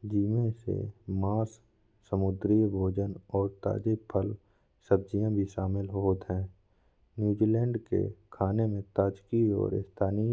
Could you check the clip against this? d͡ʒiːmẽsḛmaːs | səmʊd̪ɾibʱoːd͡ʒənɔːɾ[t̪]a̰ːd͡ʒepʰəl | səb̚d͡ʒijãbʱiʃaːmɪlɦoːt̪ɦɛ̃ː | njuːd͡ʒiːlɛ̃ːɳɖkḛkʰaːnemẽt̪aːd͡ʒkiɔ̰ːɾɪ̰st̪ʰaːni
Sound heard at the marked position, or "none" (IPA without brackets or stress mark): t̪